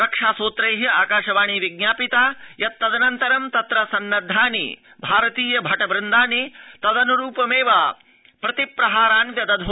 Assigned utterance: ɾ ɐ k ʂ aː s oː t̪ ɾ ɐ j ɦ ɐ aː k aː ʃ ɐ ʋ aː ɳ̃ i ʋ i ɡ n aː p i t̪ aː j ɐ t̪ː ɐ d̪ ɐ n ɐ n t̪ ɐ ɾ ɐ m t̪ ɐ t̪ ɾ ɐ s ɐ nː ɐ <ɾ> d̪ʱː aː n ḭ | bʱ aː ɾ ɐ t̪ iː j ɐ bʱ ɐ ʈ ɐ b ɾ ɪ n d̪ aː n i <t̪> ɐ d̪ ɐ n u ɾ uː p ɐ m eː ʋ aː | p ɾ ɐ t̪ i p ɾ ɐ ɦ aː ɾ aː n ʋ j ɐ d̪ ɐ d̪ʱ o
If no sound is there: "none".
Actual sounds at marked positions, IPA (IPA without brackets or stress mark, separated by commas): none, t̪